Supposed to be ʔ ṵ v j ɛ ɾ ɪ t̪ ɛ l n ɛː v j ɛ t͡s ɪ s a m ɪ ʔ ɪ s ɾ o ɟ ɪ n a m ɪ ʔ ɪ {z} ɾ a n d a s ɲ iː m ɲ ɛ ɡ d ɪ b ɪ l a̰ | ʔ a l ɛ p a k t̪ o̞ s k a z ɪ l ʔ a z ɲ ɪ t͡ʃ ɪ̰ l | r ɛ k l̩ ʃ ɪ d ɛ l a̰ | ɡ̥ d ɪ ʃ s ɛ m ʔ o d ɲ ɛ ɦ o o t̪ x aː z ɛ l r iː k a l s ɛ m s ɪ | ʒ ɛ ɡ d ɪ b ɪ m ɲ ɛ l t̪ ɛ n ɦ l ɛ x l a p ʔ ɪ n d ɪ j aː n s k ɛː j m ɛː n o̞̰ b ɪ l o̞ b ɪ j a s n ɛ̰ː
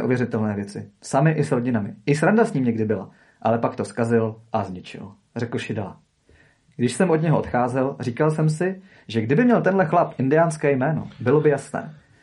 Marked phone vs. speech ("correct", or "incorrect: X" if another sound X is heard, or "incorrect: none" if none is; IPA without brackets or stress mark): incorrect: s